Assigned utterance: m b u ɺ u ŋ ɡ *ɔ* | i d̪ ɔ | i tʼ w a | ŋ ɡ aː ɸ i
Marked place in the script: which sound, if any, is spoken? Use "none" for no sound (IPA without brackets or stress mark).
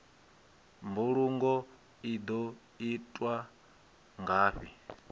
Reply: ɔ